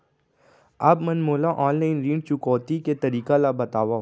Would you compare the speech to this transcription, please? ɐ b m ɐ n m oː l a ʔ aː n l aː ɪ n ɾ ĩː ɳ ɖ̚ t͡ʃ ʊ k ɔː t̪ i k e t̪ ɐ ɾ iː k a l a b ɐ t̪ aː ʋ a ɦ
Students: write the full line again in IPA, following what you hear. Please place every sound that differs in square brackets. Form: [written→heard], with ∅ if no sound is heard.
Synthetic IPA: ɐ b m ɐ n m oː l a ʔ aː n l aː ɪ n ɾ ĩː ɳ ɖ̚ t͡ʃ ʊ k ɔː t̪ i k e t̪ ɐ ɾ iː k a l a b ɐ t̪ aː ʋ a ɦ

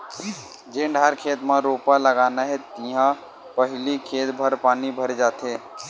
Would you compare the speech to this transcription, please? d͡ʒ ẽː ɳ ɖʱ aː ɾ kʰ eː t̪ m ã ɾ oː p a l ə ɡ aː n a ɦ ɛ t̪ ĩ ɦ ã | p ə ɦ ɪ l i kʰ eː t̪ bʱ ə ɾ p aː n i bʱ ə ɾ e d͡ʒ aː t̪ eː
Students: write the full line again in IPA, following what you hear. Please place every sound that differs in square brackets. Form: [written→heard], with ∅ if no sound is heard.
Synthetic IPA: d͡ʒ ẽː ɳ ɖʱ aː ɾ kʰ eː t̪ m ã ɾ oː p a l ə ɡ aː n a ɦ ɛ t̪ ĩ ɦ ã | p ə ɦ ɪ l i kʰ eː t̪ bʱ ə ɾ p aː n i bʱ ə ɾ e d͡ʒ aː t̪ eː

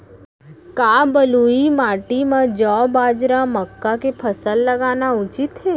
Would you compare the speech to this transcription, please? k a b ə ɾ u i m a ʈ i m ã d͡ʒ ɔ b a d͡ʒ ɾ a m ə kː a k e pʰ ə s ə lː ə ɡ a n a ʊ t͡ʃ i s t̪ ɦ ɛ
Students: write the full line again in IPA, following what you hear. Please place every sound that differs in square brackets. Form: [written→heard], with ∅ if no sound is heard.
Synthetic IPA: k a b ə [ɾ→l] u i m a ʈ i m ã d͡ʒ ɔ b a d͡ʒ ɾ a m ə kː a k e pʰ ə s ə lː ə ɡ a n a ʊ t͡ʃ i [s→∅] t̪ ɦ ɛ

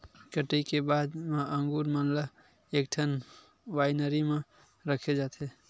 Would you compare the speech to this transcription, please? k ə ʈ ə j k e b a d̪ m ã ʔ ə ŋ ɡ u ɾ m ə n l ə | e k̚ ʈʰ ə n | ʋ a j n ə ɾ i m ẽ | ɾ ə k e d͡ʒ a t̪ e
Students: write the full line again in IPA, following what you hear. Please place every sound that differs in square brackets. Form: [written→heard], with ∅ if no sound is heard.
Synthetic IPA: k ə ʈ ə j k e b a d̪ m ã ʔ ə ŋ ɡ u ɾ m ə n l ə | e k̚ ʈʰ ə n | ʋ a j n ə ɾ i m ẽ | ɾ ə [k→kʰ] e d͡ʒ a t̪ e

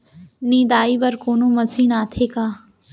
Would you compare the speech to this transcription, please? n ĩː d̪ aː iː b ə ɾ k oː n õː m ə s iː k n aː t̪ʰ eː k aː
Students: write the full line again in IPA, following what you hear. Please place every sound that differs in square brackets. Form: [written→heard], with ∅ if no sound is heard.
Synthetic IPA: n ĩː d̪ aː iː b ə ɾ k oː n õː m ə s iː [k→∅] n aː t̪ʰ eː k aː

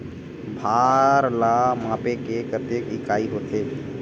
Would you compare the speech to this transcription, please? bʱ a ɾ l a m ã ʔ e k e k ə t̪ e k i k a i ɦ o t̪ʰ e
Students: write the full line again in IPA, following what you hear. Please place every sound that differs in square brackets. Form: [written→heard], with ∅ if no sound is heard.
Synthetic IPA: bʱ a ɾ l a m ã [ʔ→p] e k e k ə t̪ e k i k a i ɦ o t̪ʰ e

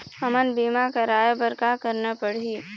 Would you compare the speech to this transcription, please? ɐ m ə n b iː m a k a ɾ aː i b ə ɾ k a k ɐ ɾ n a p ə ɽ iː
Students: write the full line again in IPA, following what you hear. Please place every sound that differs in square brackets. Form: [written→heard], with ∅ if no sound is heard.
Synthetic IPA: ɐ m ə n b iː m a k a ɾ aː [i→j] b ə ɾ k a k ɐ ɾ n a p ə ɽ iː

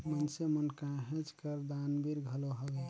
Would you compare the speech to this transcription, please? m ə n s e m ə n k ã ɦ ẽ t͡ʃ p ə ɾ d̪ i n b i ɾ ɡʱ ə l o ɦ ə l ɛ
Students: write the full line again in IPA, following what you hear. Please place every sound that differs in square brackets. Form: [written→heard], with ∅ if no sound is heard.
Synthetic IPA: m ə n s e m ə n k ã ɦ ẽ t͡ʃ [p→k] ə ɾ d̪ [i→a] n b i ɾ ɡʱ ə l o ɦ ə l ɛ

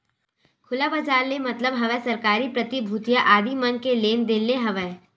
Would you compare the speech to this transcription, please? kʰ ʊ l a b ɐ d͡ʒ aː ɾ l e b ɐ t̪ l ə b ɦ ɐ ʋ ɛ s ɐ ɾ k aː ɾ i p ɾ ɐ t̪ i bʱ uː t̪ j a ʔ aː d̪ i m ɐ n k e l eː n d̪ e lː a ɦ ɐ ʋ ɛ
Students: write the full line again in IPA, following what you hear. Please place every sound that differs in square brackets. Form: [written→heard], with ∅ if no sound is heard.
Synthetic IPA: kʰ ʊ l a b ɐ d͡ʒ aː ɾ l e [b→m] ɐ t̪ l ə b ɦ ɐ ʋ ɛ s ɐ ɾ k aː ɾ i p ɾ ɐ t̪ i bʱ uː t̪ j a ʔ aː d̪ i m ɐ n k e l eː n d̪ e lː [a→e] ɦ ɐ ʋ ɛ

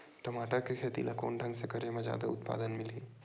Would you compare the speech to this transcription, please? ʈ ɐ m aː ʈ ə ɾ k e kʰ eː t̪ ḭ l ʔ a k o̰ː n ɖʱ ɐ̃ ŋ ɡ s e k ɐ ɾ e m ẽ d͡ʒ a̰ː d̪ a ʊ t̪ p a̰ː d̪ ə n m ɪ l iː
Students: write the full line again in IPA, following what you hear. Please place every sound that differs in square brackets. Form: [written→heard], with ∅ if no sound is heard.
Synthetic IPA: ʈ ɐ m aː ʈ ə ɾ k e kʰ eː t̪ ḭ l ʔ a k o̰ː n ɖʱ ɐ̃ ŋ ɡ s e k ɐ ɾ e m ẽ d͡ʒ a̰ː d̪ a ʊ t̪ p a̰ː d̪ ə n m ɪ l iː

